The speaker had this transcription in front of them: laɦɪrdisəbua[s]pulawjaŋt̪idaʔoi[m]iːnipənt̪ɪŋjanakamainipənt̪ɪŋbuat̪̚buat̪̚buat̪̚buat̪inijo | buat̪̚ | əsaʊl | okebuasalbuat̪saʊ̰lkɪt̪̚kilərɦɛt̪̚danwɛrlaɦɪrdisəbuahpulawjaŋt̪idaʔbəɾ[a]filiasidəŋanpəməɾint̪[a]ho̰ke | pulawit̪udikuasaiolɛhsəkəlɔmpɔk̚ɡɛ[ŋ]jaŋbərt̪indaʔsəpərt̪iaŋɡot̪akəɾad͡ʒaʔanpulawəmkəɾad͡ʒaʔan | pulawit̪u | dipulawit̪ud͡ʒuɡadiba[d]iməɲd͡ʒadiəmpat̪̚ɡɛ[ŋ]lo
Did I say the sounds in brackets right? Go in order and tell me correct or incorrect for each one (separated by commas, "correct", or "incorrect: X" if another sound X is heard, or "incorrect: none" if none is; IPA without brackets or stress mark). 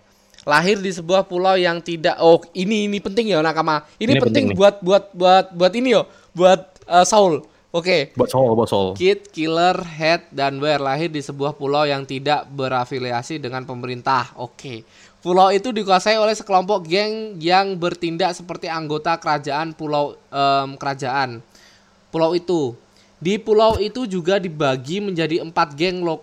incorrect: h, incorrect: n, correct, correct, correct, incorrect: ɡ, correct